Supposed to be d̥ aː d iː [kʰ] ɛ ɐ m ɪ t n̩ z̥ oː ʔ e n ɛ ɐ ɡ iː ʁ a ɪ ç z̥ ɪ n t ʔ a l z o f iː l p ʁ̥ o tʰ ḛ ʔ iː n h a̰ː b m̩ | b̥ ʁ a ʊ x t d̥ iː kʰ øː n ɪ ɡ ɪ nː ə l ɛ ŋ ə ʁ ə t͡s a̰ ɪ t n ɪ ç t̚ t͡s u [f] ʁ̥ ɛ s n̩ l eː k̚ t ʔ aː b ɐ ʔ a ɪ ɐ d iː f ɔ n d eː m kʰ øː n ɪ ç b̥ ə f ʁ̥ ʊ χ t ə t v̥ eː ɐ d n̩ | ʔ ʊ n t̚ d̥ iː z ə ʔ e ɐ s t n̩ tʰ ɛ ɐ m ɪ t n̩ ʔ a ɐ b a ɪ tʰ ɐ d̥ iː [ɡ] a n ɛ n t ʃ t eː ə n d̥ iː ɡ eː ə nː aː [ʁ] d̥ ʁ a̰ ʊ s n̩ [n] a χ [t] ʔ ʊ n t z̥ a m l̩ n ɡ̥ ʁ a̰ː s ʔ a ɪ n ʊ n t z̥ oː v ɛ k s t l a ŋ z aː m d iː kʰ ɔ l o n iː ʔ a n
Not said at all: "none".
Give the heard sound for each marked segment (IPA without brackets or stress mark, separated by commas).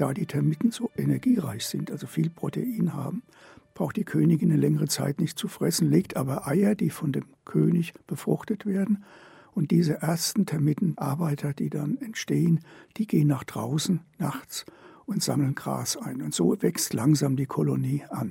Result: tʰ, f, d, χ, n, t͡s